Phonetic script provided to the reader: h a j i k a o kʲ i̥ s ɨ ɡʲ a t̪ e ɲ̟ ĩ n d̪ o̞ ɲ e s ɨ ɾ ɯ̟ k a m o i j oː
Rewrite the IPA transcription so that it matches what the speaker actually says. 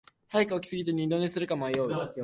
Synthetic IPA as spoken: h a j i k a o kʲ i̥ s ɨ ɡʲ i t̪ e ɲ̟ ĩ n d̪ o̞ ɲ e s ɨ ɾ ɯ̟ k a m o a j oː